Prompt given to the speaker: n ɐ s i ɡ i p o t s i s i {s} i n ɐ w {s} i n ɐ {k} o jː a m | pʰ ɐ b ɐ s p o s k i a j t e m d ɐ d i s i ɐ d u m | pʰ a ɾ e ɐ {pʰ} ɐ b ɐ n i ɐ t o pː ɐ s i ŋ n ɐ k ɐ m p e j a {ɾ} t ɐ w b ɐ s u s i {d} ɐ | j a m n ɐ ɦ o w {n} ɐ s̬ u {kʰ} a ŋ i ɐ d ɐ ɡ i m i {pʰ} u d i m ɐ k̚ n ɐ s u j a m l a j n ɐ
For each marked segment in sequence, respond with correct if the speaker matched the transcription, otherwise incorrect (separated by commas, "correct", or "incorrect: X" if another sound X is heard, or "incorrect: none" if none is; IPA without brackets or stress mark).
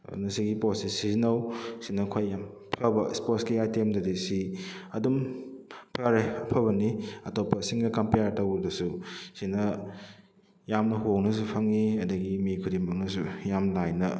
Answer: incorrect: z, correct, incorrect: kʰ, correct, correct, incorrect: n, correct, incorrect: pʰ, incorrect: kʰ